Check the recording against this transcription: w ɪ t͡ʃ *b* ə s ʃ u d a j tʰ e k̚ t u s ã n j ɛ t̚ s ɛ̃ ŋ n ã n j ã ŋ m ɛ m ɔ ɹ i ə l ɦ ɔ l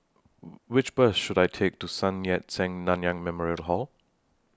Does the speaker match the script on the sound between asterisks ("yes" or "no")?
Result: yes